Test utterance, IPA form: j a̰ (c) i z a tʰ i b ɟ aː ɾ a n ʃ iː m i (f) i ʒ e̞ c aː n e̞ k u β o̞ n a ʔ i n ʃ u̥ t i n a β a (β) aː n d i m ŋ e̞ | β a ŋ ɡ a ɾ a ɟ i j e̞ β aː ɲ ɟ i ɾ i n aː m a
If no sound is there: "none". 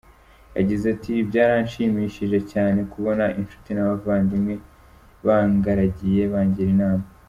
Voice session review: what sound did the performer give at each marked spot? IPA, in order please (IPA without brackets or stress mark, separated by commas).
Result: ɟ, ʃ, v